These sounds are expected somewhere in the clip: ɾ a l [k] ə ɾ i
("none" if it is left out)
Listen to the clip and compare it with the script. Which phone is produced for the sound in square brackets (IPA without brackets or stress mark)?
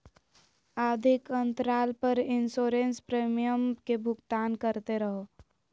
p